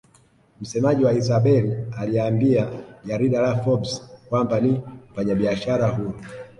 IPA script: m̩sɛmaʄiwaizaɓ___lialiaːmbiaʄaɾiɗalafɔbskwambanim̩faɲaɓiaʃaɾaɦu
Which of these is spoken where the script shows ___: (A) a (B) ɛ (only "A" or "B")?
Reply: B